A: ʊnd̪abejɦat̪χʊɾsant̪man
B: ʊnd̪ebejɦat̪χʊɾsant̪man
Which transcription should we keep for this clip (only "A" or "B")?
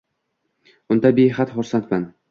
A